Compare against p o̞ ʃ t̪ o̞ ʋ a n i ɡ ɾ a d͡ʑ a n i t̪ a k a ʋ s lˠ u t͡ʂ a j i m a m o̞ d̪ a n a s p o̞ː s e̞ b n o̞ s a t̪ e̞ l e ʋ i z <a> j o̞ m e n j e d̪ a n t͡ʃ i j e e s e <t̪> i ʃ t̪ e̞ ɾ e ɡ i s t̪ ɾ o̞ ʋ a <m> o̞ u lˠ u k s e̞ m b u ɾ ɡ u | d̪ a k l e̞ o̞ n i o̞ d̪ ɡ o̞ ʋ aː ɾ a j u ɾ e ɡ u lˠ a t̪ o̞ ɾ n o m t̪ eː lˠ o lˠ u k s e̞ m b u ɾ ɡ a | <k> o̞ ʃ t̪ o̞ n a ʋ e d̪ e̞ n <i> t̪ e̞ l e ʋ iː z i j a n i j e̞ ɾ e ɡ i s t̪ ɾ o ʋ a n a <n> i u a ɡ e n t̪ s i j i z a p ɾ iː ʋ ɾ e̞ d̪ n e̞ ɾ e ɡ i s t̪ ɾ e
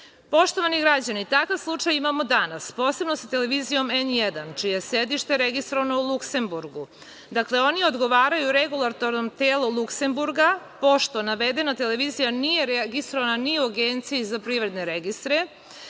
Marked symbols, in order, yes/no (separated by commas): no, no, no, no, no, yes